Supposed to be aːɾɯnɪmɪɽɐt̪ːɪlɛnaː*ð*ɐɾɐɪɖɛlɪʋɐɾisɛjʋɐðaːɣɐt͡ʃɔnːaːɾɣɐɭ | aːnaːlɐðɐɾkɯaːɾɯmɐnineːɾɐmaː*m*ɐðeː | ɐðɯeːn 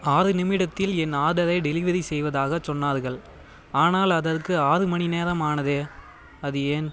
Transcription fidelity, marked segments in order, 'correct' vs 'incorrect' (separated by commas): correct, incorrect